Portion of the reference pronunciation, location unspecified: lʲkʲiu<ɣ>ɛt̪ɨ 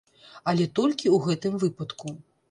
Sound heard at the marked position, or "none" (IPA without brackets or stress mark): ɣ